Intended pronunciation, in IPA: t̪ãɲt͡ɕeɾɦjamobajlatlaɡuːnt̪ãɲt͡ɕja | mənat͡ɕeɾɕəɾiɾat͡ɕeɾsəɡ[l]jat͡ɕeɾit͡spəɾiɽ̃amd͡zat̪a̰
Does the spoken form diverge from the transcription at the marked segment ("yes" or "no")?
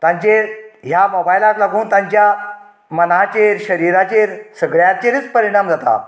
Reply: yes